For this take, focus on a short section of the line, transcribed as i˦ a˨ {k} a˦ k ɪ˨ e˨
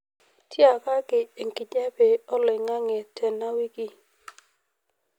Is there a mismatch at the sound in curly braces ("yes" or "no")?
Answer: no